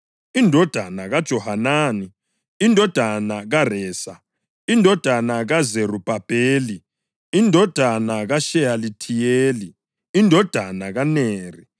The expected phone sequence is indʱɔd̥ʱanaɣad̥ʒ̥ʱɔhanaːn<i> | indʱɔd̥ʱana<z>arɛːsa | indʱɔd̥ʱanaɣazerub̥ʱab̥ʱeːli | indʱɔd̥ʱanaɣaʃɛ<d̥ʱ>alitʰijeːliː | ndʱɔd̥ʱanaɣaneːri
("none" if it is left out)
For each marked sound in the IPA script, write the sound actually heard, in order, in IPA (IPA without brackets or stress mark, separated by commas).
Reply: i, ɣ, none